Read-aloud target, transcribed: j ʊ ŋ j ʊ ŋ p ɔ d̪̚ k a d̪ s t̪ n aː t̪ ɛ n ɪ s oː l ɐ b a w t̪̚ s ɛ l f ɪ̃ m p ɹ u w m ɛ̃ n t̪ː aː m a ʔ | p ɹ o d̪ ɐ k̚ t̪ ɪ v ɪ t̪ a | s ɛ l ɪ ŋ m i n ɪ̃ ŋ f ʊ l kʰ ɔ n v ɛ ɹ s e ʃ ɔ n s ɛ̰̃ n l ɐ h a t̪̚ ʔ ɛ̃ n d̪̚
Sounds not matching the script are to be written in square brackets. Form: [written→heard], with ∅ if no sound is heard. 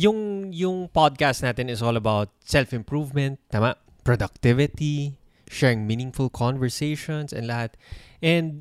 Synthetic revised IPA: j ʊ ŋ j ʊ ŋ p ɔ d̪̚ k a [d̪→∅] s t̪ n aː t̪ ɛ n ɪ s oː l ɐ b a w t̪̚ s ɛ l f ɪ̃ m p ɹ u [w→v] m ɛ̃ n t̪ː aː m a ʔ | p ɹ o d̪ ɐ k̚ t̪ ɪ v ɪ t̪ [a→i] | [s→ʃ] ɛ [l→ɹ] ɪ ŋ m i n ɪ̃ ŋ f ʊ l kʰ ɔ n v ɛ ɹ s e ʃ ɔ n s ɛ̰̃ n l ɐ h a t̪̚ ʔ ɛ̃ n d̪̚